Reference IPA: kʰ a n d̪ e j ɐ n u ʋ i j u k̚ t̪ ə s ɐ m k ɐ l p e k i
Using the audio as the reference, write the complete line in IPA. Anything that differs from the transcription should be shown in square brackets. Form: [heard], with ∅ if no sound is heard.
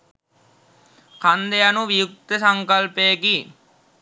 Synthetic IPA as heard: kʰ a n d̪ e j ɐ n u ʋ i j u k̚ t̪ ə s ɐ [ŋ] k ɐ l p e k i